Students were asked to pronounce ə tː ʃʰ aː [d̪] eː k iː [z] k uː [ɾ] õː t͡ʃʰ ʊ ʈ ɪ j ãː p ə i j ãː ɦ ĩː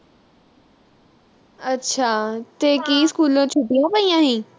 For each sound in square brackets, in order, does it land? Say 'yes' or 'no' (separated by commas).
no, no, no